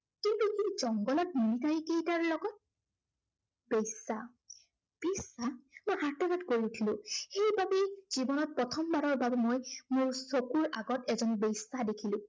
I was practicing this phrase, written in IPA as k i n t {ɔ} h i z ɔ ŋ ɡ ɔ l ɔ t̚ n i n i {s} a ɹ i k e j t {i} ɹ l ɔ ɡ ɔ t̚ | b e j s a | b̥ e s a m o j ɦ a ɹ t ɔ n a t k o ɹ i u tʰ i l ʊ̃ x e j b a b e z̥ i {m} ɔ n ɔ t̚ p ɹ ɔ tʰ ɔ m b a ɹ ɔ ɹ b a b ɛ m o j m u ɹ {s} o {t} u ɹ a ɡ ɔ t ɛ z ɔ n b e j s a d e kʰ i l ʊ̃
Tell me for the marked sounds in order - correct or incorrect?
incorrect, incorrect, incorrect, incorrect, correct, incorrect

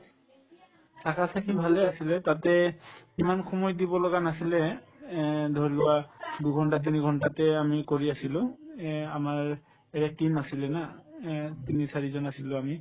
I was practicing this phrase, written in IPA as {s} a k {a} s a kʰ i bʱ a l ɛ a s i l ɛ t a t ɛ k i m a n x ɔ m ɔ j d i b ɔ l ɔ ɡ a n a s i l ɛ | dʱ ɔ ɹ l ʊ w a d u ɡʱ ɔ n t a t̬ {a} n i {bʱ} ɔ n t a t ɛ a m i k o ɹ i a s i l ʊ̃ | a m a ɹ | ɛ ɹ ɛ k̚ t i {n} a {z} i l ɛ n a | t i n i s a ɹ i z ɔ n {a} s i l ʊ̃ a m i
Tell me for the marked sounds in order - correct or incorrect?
correct, correct, incorrect, incorrect, incorrect, incorrect, correct

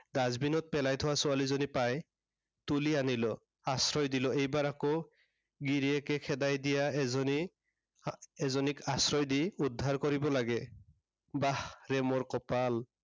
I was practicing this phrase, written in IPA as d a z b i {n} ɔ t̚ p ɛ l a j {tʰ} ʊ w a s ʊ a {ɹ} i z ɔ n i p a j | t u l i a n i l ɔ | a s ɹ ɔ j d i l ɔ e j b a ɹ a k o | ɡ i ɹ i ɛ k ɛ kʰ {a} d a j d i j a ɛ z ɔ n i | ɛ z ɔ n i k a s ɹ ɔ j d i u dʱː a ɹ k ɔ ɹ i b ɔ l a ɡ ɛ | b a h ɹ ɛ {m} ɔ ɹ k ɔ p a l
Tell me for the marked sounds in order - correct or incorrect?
correct, correct, incorrect, incorrect, correct

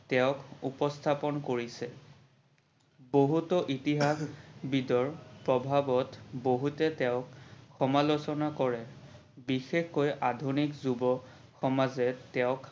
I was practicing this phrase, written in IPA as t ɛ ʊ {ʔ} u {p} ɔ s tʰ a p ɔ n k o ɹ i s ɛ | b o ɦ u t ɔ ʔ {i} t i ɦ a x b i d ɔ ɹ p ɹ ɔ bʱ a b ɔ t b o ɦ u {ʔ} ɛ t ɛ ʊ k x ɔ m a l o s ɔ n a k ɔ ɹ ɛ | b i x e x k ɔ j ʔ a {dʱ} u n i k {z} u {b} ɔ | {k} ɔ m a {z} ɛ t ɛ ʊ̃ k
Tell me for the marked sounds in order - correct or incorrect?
incorrect, correct, correct, incorrect, correct, correct, correct, incorrect, correct

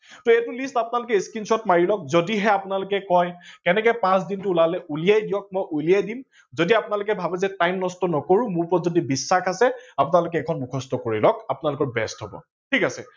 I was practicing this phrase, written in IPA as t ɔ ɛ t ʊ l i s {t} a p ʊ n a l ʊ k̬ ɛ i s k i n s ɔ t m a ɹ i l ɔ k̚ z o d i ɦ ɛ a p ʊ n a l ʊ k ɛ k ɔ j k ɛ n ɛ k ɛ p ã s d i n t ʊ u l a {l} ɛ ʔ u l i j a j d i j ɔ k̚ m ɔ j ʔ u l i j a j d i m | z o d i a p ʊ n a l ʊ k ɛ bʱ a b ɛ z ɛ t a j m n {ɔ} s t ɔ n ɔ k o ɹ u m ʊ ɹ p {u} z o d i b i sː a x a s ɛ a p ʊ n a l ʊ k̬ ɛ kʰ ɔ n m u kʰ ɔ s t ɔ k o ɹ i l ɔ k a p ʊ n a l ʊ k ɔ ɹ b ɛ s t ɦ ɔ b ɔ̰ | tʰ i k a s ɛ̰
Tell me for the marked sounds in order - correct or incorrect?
correct, correct, correct, incorrect

